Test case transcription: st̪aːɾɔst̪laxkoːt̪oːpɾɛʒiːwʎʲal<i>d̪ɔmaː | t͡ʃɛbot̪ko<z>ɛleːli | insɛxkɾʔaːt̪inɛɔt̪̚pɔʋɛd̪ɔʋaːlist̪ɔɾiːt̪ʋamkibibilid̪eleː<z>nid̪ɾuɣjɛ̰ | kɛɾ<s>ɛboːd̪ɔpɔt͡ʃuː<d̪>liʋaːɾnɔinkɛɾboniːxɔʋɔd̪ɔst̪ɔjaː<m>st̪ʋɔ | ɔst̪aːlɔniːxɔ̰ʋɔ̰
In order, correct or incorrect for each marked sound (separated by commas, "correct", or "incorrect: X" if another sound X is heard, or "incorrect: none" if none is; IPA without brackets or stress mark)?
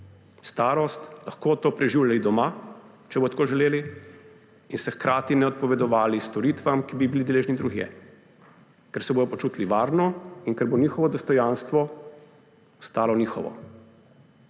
correct, incorrect: ʒ, incorrect: ʒ, correct, incorrect: t̪, incorrect: n